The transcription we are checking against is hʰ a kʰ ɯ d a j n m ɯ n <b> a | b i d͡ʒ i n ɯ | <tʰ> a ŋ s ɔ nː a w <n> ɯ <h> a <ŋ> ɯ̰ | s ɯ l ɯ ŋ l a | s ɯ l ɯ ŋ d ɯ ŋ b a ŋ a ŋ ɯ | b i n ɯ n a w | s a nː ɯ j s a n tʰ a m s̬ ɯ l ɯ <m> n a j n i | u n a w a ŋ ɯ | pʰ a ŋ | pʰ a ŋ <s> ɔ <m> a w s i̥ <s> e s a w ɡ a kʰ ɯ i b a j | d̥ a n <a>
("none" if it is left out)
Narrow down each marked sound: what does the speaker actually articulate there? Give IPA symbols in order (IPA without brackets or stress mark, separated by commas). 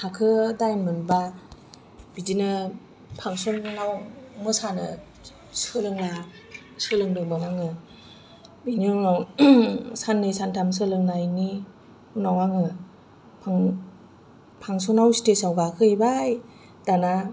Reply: b, pʰ, m, s, n, ŋ, s, n, t, a